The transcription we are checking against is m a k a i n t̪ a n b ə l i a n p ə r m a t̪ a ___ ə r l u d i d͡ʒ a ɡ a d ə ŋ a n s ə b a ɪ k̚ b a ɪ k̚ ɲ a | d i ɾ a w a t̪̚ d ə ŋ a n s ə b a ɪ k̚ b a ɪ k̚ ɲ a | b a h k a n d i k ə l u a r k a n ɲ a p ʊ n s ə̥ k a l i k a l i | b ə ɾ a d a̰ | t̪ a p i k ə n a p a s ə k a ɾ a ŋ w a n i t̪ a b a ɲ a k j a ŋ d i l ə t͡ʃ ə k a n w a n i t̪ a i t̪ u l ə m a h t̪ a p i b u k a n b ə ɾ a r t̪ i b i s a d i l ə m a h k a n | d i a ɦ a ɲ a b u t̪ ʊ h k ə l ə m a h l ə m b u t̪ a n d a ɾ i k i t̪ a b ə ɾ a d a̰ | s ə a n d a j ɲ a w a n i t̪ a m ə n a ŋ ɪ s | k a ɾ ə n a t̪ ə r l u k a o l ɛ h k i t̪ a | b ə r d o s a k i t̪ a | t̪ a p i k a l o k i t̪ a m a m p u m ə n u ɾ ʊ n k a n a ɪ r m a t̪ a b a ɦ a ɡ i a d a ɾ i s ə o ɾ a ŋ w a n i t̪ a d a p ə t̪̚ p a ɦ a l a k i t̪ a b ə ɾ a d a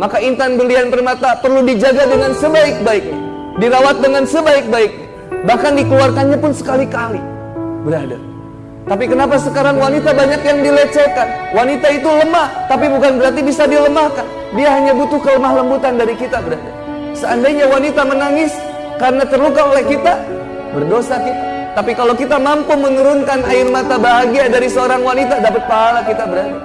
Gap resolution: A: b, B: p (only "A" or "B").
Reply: B